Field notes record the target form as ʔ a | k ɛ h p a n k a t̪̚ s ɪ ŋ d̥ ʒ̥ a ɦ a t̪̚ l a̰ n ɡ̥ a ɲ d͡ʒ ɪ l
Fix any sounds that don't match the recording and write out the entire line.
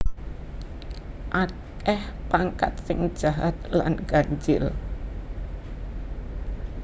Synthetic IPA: ʔ a | k ɛ h p a ŋ k a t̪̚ s ɪ ŋ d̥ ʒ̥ a ɦ a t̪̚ l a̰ n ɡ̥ a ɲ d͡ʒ ɪ l